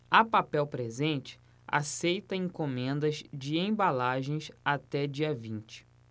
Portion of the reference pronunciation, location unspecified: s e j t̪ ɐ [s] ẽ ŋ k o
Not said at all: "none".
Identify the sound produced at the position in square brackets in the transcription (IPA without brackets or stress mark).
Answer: none